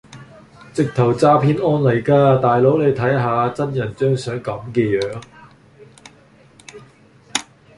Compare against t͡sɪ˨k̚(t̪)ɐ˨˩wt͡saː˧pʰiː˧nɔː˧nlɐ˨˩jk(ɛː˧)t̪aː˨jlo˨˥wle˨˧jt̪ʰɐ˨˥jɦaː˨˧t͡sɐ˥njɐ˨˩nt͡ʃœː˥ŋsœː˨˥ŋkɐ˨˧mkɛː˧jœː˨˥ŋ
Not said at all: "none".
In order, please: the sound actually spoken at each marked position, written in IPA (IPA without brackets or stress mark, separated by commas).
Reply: t̪ʰ, aː˧